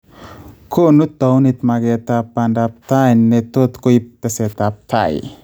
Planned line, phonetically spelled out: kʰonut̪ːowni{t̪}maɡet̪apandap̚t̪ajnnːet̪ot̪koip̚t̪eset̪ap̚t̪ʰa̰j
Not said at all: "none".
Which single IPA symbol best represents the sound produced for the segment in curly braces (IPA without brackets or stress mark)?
t̪